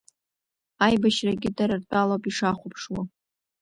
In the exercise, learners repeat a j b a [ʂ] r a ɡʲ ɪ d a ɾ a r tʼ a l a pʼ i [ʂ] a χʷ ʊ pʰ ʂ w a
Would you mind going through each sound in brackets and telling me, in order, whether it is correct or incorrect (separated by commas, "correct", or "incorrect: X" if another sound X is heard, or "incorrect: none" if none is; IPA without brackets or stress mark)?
incorrect: ʃ, correct